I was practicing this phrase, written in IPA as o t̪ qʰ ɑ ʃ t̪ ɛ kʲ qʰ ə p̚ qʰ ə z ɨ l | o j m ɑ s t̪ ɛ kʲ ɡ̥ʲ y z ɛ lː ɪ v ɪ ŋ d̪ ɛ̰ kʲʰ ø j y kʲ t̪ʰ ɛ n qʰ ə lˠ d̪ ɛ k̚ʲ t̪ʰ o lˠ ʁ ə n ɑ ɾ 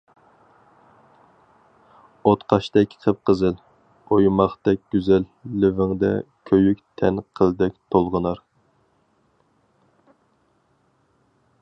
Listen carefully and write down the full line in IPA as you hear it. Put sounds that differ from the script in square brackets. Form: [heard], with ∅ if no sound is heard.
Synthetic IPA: o t̪ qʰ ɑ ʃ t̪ ɛ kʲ qʰ ə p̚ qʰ ə z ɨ l | o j m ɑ [χ] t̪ ɛ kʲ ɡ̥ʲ y z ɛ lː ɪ v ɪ ŋ d̪ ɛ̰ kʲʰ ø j y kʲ t̪ʰ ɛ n qʰ ə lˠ d̪ ɛ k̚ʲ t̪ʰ o lˠ ʁ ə n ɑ ɾ